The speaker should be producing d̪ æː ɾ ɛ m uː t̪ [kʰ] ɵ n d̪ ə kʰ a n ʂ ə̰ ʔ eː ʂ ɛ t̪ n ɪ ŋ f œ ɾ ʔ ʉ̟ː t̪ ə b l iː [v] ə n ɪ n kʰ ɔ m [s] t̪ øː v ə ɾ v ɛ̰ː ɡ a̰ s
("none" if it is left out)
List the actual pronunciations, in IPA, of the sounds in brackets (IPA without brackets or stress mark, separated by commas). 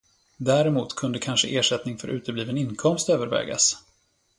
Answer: kʰ, v, s